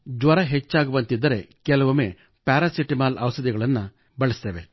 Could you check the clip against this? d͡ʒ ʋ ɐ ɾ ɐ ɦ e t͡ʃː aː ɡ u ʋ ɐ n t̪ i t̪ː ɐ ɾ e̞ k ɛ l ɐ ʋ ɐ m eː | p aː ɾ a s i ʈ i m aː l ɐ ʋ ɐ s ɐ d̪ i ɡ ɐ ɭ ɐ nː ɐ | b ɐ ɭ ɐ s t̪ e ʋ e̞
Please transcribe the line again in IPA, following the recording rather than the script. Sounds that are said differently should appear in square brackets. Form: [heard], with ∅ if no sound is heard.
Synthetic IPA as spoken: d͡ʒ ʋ ɐ ɾ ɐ ɦ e t͡ʃː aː ɡ u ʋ ɐ n t̪ i [d̪ː] ɐ ɾ e̞ k ɛ l ɐ ʋ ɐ m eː | p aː ɾ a s i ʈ i m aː l ɐ ʋ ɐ s ɐ d̪ i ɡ ɐ ɭ ɐ nː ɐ | b ɐ ɭ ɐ s t̪ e ʋ e̞